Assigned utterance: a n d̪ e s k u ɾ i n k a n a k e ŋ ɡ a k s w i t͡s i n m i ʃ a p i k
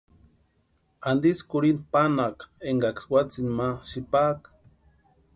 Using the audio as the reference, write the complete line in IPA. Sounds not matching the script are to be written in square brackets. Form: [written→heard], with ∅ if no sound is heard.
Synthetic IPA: a n d̪ [e→i] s k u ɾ i n [k→p] a n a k e ŋ ɡ a k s w [i→a] t͡s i n m [i→a] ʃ [a→i] p [i→a] k

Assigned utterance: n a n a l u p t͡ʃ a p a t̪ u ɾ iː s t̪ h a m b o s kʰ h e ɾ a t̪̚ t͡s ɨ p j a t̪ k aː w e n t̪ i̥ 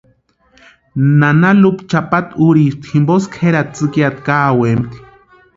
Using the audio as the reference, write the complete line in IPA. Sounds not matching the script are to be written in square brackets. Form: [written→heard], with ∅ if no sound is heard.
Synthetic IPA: n a n a l u p t͡ʃ a p a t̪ u ɾ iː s t̪ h [a→i] m b o s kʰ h e ɾ a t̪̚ t͡s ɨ [p→k] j a t̪ k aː w e [n→m] t̪ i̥

